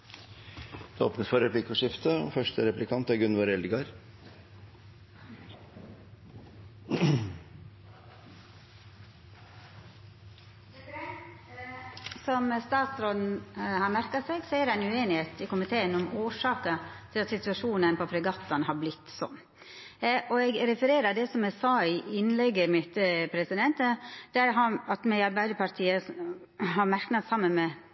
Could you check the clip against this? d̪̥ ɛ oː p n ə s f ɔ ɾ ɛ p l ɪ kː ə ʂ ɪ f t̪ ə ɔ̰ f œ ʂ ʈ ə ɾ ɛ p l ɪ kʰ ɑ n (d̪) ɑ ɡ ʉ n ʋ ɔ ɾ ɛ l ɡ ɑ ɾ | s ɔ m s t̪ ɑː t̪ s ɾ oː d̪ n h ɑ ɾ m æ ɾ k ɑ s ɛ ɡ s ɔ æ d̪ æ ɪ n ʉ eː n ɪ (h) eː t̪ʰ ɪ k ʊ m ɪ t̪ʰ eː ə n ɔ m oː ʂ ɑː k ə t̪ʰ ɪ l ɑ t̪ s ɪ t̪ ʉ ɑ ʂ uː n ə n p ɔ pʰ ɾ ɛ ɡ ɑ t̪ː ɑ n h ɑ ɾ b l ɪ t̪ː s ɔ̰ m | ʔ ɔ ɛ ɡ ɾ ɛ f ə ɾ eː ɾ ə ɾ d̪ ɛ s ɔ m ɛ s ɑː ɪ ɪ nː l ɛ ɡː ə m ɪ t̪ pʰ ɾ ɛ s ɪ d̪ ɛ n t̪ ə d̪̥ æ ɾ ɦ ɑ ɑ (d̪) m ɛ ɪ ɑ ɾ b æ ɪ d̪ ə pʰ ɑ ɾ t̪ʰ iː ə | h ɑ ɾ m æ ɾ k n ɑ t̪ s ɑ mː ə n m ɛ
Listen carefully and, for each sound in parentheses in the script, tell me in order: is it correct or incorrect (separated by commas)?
incorrect, correct, incorrect